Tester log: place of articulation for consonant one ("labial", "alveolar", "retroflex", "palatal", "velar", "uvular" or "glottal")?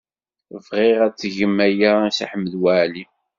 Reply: labial